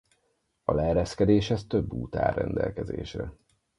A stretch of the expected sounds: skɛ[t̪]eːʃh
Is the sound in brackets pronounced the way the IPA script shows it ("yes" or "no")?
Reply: no